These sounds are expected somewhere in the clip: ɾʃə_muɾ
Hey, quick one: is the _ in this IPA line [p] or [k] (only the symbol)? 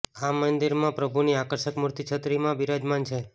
k